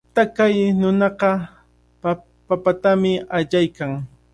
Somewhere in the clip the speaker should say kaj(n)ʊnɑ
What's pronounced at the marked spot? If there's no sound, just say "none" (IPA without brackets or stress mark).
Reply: n